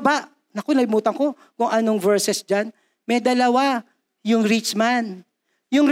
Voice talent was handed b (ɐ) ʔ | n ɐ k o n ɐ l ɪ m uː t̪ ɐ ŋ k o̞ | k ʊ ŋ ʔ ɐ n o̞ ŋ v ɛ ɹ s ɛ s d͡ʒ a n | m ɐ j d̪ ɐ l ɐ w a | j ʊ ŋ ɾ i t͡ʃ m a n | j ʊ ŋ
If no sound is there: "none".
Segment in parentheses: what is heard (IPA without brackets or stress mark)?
a